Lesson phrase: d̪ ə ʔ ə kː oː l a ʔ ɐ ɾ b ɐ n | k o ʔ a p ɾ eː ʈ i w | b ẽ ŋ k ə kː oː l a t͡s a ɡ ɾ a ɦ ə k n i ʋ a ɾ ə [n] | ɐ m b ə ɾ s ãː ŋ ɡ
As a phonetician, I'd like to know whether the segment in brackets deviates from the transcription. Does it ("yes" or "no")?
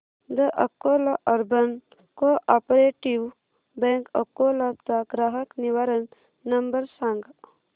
yes